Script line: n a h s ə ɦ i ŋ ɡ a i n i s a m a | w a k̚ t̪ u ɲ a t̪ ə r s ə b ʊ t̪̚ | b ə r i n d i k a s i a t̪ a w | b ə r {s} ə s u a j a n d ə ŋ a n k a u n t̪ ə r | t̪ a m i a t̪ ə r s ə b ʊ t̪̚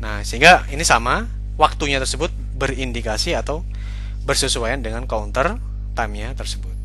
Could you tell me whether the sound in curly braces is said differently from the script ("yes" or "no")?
no